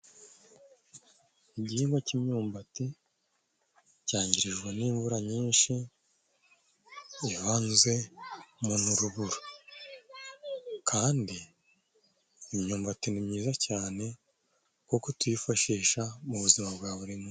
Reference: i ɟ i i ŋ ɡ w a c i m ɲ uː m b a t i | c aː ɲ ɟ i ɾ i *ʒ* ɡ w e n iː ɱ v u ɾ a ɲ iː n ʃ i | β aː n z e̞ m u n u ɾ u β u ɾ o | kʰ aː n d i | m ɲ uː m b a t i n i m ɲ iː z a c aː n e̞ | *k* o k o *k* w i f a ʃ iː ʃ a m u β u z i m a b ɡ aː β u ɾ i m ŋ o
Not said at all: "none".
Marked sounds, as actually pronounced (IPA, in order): ʒ, k, t

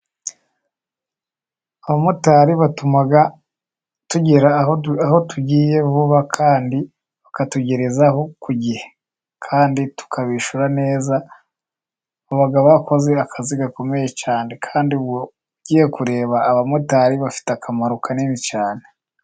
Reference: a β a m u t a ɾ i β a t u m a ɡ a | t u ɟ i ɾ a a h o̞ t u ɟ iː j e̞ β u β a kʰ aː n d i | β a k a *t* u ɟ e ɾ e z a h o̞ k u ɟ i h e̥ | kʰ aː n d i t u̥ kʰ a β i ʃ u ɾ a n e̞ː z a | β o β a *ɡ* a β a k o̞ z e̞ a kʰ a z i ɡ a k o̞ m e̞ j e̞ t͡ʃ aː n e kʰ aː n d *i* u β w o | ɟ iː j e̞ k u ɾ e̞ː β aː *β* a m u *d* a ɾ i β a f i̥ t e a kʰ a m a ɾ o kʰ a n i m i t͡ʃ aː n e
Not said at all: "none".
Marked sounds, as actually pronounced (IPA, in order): t, ɡ, i, β, t

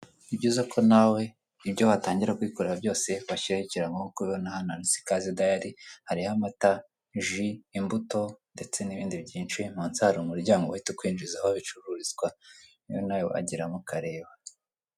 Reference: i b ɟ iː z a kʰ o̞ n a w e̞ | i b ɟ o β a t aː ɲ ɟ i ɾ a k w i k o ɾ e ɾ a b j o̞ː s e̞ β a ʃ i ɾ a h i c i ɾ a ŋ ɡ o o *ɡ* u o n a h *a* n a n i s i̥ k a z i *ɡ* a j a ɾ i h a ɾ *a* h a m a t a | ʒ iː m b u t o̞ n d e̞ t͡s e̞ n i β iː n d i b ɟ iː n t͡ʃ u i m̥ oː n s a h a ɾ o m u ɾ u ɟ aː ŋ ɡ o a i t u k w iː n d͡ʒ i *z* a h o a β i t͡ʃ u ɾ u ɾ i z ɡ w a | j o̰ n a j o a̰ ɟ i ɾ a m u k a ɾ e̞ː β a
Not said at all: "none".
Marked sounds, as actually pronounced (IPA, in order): k, a, d, i, z

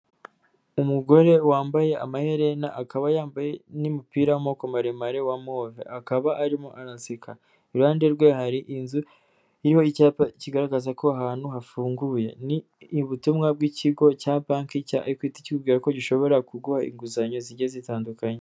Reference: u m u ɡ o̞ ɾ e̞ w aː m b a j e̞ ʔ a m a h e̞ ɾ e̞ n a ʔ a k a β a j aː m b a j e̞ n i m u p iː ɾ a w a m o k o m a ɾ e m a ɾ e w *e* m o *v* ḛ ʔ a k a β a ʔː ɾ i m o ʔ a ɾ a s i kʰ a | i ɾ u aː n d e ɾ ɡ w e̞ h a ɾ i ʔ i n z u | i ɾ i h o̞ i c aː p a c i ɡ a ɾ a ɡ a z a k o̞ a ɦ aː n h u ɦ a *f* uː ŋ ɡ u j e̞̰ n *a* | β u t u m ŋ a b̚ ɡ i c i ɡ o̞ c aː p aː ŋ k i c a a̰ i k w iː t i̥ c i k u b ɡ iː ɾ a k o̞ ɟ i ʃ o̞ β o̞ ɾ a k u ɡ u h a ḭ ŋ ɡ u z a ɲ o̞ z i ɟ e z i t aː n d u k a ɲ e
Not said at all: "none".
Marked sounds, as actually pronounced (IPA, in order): a, v, f, i

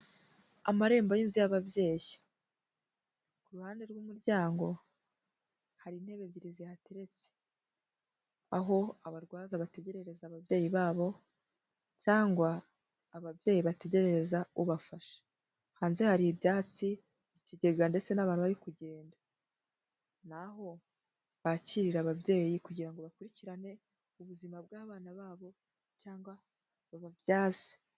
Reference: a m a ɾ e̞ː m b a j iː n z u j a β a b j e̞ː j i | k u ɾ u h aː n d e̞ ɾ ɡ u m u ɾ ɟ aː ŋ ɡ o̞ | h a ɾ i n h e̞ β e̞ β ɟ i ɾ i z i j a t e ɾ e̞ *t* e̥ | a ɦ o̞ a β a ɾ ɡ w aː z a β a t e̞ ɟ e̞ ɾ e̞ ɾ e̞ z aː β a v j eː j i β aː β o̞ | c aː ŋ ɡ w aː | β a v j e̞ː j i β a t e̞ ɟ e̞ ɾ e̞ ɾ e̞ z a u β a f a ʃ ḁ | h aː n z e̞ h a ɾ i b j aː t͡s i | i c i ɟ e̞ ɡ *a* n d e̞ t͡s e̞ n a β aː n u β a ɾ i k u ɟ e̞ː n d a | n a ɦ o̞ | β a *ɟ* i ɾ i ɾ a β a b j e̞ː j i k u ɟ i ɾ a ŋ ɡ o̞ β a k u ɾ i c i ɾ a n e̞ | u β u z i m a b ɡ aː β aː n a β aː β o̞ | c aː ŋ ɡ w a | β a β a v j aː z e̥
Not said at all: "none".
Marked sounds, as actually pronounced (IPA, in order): t͡s, a, c

